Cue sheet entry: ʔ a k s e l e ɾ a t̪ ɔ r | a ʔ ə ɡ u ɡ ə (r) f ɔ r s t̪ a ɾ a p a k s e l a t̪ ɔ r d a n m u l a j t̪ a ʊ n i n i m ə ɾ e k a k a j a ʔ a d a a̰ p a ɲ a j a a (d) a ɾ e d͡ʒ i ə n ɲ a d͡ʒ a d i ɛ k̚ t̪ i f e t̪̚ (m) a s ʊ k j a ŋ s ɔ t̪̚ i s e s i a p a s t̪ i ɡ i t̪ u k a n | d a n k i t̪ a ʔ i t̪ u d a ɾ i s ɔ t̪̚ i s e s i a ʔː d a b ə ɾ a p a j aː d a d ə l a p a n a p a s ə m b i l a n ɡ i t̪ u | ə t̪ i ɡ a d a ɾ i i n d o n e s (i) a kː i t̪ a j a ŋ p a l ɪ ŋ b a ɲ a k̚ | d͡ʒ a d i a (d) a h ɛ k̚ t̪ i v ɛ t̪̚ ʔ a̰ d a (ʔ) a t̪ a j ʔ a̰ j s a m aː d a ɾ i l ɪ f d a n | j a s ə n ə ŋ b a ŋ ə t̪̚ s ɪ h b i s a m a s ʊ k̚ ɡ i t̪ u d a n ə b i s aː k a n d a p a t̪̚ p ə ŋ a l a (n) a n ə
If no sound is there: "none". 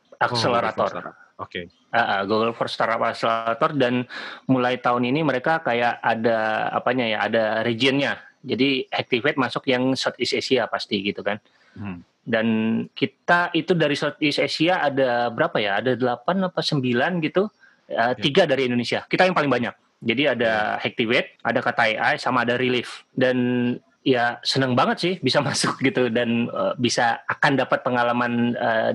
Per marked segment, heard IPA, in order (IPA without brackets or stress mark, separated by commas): l, d, m, i, d, k, m